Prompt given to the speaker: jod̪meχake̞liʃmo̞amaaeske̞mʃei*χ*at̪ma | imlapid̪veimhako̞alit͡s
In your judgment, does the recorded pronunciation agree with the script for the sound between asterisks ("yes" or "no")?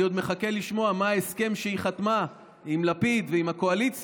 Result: yes